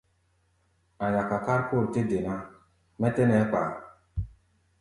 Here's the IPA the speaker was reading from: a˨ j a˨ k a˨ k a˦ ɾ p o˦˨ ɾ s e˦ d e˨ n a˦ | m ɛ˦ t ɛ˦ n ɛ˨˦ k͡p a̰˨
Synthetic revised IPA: a˨ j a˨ k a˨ k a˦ ɾ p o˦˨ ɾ t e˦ d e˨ n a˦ | m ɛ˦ t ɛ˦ n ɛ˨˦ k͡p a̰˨